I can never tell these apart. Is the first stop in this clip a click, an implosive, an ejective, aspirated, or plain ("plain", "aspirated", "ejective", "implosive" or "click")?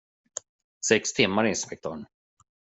plain